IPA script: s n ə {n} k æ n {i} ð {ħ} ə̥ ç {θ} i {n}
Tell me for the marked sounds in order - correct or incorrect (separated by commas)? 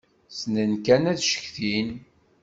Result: correct, incorrect, incorrect, correct, correct